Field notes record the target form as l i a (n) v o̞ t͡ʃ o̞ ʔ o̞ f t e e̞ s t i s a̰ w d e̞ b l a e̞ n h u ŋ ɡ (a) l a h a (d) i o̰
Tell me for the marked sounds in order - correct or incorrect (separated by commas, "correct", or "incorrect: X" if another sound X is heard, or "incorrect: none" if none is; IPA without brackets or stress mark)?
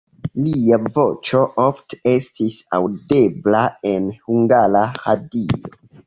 incorrect: none, correct, correct